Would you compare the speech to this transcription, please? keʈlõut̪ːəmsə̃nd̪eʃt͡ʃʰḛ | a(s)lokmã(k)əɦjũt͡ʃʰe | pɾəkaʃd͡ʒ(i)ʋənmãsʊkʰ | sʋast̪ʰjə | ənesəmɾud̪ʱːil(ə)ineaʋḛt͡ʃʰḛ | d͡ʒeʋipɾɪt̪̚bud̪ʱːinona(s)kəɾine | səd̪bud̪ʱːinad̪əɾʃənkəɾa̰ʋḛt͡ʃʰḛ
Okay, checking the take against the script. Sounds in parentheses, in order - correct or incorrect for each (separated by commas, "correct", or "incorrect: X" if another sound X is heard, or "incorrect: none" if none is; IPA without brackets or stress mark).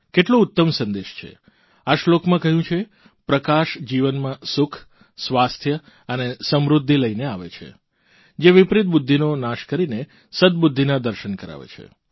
incorrect: ʃ, correct, correct, correct, incorrect: ʃ